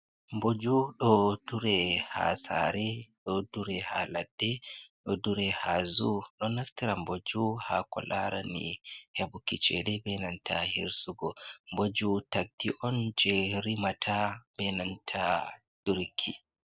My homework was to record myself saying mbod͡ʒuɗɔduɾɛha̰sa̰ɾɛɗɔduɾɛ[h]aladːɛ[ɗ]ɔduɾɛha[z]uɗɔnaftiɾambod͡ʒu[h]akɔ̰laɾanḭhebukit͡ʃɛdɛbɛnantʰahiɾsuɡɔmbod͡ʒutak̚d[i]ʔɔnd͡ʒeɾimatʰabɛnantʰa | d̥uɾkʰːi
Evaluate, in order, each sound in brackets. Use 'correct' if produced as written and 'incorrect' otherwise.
correct, correct, correct, correct, correct

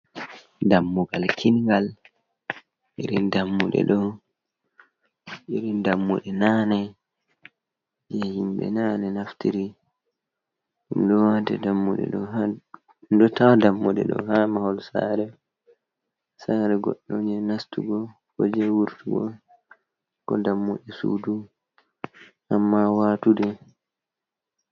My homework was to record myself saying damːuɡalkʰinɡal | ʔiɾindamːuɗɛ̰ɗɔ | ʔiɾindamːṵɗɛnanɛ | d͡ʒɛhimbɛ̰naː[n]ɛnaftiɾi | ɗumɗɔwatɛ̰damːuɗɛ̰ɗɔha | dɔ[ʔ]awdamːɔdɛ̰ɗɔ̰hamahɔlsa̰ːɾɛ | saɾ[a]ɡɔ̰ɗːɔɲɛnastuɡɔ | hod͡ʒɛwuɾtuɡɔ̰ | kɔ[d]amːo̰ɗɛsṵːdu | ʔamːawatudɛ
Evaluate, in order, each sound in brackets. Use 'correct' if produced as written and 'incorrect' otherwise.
correct, incorrect, incorrect, correct

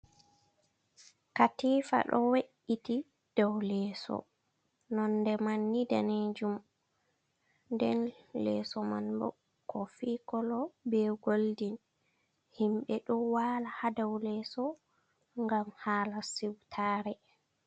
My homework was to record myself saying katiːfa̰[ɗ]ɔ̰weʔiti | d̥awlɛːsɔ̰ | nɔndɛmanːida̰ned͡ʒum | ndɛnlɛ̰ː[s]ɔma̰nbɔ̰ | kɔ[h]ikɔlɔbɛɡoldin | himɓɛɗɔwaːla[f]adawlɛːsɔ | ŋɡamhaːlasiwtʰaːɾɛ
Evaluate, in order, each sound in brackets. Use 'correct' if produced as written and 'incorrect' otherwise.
correct, correct, incorrect, incorrect

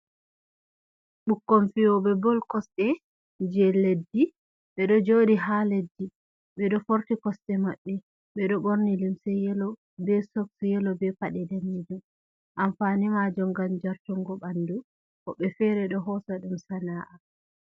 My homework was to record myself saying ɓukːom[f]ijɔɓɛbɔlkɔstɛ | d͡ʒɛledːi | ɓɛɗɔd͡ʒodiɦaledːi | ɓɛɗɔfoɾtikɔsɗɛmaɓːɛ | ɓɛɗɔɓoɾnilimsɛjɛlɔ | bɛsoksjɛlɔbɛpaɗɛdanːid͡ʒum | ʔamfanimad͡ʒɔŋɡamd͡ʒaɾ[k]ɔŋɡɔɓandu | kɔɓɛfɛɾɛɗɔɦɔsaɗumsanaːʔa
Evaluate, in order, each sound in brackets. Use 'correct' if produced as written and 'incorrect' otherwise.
correct, incorrect

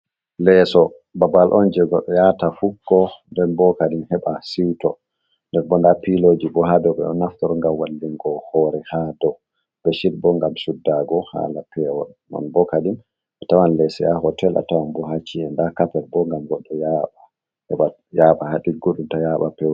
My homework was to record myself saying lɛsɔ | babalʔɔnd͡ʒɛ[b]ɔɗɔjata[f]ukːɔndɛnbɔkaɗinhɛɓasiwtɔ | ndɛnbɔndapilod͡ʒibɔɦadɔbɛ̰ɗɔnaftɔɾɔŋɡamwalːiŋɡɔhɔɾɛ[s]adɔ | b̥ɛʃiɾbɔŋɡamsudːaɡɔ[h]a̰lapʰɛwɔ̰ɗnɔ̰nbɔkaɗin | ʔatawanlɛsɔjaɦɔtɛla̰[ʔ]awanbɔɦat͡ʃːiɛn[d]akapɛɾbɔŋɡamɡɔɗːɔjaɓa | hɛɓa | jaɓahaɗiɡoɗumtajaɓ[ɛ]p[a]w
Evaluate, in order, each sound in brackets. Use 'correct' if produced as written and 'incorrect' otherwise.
incorrect, correct, incorrect, correct, incorrect, correct, incorrect, incorrect

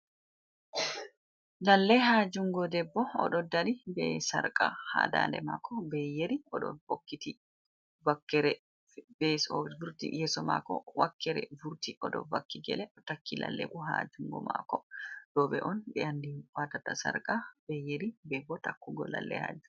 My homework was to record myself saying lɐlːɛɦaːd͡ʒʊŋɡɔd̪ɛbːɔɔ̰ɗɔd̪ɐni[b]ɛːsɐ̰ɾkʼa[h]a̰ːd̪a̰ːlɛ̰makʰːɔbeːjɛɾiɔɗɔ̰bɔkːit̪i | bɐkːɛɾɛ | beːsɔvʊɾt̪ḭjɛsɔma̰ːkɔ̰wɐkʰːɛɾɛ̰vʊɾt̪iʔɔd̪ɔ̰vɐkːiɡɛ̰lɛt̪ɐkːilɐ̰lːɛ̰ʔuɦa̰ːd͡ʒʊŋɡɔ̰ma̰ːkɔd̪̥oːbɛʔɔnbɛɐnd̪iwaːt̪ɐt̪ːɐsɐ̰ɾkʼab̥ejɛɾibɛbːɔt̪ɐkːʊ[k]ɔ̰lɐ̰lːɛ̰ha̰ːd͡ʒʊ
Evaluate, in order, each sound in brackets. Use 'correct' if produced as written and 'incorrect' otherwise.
correct, correct, incorrect

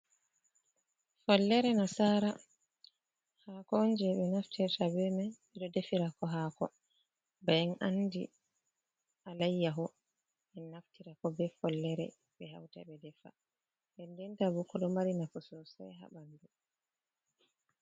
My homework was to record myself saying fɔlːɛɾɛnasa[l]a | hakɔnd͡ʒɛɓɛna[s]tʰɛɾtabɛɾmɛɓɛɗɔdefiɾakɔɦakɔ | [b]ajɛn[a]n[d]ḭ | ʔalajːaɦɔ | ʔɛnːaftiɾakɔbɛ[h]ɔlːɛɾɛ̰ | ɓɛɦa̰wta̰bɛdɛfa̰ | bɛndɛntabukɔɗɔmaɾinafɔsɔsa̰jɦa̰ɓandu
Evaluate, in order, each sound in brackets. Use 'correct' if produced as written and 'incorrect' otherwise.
incorrect, incorrect, correct, correct, correct, incorrect

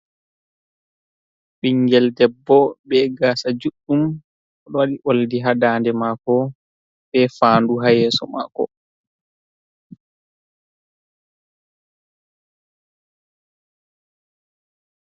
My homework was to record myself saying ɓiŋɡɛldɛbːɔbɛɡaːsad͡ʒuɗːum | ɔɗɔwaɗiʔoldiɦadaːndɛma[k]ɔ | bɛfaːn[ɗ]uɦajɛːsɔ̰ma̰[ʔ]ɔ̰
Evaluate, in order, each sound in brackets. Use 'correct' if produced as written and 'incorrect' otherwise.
correct, incorrect, incorrect

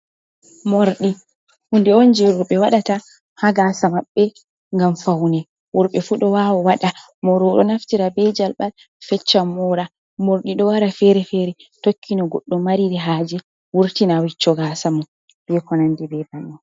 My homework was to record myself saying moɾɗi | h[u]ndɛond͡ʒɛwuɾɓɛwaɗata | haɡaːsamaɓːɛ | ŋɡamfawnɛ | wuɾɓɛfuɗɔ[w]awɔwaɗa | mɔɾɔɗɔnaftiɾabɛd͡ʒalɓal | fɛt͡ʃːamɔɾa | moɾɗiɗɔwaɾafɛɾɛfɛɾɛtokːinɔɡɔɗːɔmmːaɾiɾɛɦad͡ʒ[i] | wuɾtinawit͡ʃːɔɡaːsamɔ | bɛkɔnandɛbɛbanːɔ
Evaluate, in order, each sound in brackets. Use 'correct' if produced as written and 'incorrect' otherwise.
correct, correct, incorrect

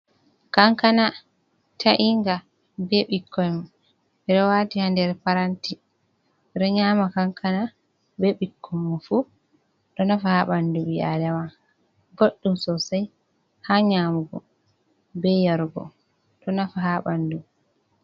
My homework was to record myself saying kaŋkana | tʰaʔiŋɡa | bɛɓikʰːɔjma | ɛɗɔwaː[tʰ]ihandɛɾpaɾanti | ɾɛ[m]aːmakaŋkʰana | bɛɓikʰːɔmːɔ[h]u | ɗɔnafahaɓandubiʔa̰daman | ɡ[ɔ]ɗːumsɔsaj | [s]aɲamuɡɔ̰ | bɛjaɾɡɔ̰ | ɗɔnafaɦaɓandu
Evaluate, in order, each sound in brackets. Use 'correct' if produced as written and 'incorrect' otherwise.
incorrect, incorrect, incorrect, incorrect, incorrect

